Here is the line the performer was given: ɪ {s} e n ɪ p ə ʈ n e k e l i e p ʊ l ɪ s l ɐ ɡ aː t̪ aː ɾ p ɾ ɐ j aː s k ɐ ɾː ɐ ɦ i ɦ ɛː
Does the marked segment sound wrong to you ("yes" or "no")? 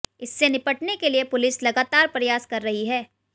yes